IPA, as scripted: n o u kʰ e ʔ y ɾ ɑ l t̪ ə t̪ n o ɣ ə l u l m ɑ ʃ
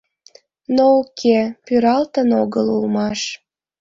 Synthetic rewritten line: n o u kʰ e p y ɾ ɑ l t̪ ə n o ɣ ə l u l m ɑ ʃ